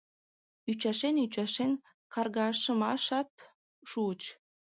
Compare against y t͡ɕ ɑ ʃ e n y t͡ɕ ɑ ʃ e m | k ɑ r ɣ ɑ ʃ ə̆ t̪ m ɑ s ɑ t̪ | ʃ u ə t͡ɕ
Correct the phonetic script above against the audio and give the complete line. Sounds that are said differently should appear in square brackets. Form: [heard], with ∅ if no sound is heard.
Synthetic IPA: y t͡ɕ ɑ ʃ e n y t͡ɕ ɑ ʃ e [n] | k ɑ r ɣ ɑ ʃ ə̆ [∅] m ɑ [ʃ] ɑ t̪ | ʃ u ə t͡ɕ